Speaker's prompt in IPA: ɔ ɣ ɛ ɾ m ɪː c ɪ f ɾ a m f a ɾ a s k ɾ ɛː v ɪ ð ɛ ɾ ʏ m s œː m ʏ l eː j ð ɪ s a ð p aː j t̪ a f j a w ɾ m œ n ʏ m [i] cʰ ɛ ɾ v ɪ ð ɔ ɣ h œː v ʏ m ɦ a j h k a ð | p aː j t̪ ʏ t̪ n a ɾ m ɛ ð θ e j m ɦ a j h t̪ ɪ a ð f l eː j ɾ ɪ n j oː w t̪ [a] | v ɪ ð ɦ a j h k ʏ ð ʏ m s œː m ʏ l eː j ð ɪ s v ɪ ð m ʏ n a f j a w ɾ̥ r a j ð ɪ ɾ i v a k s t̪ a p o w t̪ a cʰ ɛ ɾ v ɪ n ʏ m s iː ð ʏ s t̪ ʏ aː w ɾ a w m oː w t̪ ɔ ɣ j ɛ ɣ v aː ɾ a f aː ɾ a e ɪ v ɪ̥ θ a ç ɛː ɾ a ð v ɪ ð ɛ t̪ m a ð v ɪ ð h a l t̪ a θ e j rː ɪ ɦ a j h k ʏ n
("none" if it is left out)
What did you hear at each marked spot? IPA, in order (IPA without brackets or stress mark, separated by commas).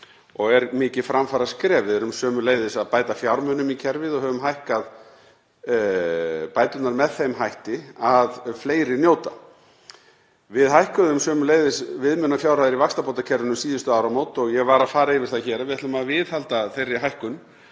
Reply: i, a